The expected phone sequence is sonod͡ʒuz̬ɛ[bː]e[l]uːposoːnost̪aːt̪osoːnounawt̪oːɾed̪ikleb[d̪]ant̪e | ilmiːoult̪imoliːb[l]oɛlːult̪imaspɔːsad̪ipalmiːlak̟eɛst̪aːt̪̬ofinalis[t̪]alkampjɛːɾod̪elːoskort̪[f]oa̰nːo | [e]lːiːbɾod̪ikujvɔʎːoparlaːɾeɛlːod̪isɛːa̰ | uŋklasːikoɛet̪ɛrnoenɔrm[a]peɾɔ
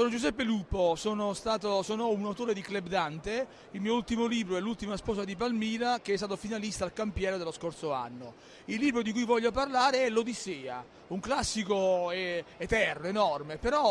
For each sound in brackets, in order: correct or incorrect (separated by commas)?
incorrect, correct, correct, incorrect, correct, incorrect, incorrect, incorrect